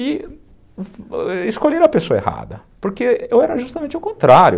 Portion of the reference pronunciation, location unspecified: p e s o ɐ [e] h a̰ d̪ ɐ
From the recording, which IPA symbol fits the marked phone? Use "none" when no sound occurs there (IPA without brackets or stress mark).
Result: e